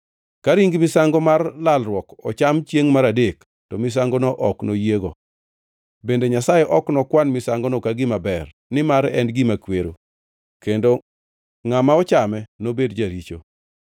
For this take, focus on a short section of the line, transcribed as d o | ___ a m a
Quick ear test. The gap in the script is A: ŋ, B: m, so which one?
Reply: A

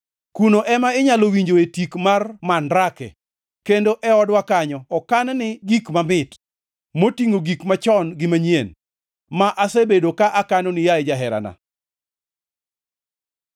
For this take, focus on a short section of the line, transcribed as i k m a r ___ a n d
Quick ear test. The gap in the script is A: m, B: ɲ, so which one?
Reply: A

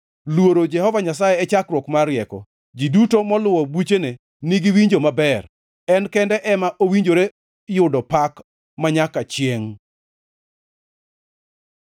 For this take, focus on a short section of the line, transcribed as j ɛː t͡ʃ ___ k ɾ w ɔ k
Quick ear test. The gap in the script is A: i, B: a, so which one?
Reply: B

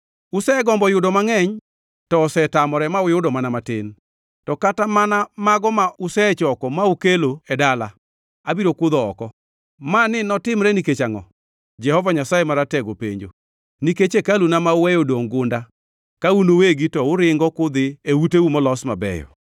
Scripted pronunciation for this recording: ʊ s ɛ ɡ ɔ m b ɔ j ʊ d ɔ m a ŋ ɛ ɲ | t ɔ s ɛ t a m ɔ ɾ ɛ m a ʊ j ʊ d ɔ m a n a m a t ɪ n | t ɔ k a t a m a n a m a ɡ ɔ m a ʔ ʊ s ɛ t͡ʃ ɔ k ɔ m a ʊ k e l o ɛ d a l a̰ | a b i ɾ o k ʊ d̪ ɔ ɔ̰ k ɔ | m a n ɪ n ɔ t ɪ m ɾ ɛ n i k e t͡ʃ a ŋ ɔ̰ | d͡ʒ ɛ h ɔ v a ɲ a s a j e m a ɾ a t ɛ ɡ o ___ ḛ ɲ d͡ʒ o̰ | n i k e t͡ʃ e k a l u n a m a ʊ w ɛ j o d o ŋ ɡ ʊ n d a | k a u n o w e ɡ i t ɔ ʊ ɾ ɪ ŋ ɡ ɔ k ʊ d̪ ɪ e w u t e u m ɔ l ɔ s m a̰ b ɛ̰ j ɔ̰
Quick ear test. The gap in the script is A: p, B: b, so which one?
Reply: A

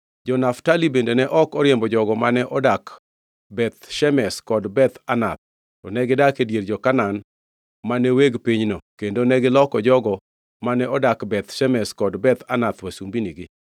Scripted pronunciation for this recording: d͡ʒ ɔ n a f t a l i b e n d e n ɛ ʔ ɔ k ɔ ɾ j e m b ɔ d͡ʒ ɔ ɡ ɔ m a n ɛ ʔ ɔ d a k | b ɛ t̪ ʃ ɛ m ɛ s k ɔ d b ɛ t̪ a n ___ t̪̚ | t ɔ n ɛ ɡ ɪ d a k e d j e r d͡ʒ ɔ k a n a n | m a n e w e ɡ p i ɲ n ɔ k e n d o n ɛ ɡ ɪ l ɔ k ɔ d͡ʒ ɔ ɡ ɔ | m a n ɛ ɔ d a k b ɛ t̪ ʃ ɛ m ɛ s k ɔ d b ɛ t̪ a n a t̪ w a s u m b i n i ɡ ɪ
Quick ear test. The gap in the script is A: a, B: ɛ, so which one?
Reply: A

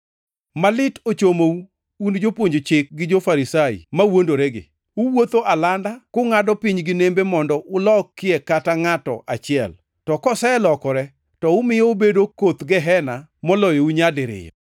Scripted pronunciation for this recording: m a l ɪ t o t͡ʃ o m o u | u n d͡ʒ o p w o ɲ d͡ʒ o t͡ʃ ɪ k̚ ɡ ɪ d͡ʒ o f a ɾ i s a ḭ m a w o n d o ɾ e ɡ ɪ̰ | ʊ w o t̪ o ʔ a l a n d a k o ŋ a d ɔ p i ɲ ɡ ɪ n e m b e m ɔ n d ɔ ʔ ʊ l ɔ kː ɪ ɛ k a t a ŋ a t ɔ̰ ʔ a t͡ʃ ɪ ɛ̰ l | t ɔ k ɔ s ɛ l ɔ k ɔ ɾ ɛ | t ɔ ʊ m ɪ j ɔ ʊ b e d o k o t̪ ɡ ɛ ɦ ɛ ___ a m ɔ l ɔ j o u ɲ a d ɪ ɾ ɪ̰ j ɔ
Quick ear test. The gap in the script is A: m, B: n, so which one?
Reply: B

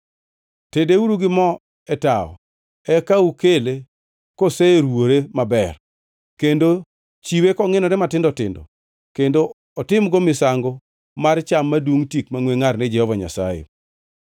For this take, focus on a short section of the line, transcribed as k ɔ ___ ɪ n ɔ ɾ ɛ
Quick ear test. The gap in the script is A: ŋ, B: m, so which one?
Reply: A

